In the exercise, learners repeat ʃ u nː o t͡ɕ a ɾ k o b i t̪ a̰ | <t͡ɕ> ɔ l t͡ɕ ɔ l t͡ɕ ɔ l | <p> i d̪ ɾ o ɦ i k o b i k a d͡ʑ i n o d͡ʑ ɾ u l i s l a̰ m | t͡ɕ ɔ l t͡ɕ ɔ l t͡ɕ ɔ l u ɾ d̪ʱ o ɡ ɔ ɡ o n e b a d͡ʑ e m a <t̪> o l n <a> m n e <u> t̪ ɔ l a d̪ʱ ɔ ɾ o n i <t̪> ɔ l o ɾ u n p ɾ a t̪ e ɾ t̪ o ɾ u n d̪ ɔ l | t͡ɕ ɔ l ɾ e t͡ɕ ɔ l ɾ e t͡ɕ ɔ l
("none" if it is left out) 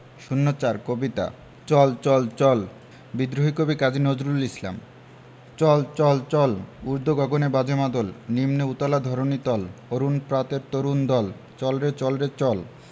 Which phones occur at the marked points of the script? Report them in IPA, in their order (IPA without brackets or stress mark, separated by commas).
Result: t͡ɕ, b, d̪, i, u, t̪